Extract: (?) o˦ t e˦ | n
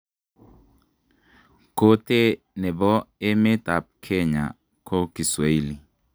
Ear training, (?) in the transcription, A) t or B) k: B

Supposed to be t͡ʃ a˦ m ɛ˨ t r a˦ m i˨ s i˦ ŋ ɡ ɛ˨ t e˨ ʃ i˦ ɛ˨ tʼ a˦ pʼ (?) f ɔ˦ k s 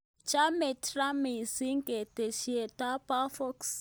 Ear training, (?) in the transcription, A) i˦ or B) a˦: B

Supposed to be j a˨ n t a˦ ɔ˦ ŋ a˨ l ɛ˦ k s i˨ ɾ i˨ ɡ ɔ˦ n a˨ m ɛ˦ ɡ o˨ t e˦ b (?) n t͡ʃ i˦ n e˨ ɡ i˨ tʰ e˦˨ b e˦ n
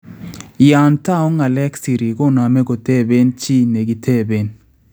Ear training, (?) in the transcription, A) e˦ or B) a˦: A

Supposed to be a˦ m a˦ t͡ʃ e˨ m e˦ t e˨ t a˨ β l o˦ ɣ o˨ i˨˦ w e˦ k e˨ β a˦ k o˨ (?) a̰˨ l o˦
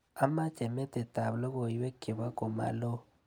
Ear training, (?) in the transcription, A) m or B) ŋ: A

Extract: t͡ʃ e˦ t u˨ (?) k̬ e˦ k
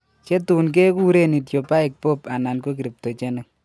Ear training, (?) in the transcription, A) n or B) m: A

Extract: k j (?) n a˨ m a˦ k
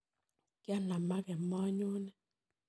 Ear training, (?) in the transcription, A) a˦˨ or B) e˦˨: A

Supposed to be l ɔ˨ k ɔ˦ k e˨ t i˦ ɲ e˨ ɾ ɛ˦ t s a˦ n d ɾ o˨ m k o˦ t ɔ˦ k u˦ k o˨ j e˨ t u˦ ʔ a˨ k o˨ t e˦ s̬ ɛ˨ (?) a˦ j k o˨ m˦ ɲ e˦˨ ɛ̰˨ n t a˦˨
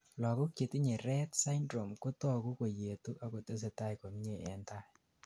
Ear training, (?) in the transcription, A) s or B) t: B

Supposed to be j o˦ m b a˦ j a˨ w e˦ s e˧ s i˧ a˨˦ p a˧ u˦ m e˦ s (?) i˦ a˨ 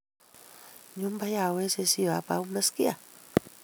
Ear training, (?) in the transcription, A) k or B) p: A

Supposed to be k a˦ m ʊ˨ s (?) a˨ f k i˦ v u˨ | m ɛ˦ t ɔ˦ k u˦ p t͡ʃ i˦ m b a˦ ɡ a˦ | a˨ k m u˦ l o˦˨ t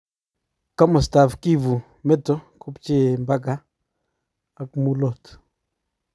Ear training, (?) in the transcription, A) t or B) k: A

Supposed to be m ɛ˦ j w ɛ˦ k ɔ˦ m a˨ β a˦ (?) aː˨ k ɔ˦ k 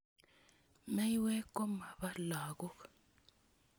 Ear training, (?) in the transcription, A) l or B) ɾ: A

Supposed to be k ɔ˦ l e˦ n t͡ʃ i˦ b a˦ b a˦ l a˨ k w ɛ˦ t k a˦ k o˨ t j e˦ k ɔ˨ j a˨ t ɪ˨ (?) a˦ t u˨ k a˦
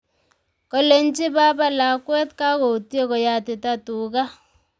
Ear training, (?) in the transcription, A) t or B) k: A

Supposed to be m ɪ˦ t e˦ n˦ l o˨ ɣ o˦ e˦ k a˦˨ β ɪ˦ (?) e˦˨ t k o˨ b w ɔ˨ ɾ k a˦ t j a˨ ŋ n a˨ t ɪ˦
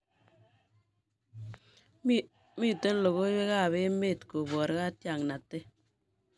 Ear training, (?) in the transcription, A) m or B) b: A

